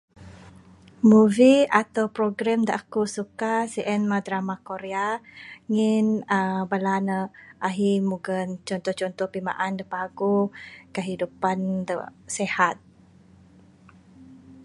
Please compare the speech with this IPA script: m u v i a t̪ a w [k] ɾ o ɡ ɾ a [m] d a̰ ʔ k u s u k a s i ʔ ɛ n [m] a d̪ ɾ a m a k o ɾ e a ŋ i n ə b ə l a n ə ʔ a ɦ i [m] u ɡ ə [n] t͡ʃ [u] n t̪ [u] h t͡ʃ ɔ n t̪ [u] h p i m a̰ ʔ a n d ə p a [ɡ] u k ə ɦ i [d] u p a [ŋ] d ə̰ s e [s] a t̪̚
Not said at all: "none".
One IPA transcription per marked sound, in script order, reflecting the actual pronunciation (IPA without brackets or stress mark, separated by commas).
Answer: p, m, m, m, n, ɔ, ɔ, ɔ, ɡ, d, n, h